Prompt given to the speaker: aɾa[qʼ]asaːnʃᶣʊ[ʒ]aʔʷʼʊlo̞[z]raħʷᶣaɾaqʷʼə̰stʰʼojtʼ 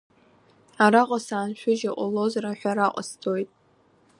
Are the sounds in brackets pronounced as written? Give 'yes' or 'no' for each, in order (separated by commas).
yes, yes, yes